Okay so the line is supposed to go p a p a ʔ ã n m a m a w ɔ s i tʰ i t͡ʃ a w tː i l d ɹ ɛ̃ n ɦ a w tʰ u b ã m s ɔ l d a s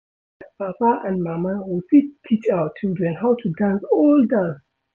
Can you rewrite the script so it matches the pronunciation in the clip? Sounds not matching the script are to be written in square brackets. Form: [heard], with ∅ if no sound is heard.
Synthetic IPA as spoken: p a p a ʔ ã n m a m a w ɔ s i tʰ i t͡ʃ a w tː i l d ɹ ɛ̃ n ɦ a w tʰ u [d] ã [n] s ɔ l d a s